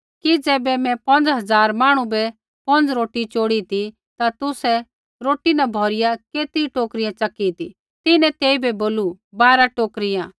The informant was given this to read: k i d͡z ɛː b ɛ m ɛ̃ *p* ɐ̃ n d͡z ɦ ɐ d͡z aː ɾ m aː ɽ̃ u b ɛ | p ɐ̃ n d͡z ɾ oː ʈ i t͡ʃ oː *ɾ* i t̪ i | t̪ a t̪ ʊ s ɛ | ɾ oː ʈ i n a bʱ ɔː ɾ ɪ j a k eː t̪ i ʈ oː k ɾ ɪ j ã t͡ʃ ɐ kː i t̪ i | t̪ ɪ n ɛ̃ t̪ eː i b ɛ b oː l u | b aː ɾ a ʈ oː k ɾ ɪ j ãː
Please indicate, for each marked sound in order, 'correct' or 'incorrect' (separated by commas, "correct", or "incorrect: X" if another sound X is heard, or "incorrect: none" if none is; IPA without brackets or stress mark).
correct, incorrect: ɽ